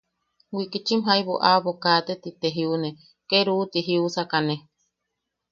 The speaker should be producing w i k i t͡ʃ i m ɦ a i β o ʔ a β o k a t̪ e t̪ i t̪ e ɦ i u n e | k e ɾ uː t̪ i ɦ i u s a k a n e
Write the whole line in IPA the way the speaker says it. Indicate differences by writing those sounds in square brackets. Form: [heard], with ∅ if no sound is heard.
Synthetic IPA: w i k i t͡ʃ i m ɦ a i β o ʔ a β o k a t̪ e t̪ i t̪ e ɦ i u n e | k e ɾ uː t̪ i ɦ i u s a k a n e